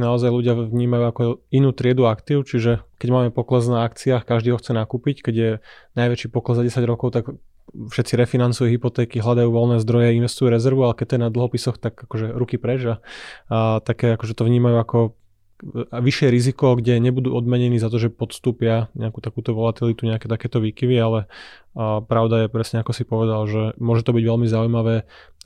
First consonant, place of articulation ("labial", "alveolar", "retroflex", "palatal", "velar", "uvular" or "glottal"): alveolar